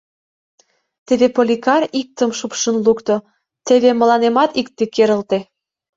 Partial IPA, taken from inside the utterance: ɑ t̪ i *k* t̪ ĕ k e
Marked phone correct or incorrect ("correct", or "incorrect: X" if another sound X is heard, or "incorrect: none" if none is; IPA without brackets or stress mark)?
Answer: correct